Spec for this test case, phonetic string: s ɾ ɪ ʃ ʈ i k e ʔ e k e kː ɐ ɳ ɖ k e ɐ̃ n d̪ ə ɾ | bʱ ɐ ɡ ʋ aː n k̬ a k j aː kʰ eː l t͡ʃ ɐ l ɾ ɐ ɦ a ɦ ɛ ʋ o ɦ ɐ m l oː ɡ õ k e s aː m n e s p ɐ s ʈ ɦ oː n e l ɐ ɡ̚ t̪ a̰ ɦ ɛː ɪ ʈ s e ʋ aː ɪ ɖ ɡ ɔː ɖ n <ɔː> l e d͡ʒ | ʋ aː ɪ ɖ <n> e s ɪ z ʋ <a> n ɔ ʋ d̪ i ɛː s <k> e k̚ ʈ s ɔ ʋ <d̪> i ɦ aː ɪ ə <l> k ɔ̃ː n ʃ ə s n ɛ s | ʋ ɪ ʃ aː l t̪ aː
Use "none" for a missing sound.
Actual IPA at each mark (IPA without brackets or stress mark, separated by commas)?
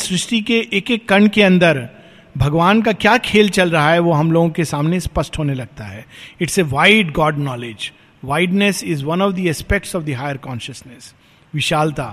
ɔː, n, ɐ, p, d̪, ɾ